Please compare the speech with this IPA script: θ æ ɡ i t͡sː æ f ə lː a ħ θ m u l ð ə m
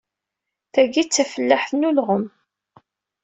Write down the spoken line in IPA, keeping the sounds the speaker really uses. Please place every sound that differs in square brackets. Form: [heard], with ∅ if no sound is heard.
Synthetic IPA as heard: θ æ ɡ i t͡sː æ f ə lː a ħ θ [n] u l [ʁ] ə m